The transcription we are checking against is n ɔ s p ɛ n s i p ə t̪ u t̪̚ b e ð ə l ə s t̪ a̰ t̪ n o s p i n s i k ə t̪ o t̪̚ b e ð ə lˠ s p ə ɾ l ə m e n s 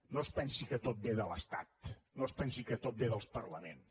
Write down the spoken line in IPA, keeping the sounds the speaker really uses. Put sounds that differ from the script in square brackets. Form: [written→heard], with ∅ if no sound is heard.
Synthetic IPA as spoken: n [ɔ→o] s p ɛ n s i [p→k] ə t̪ [u→o] t̪̚ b e ð ə l ə s t̪ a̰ t̪ n o s p [i→ɛ] n s i k ə t̪ o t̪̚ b e ð ə lˠ s p ə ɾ l ə m e n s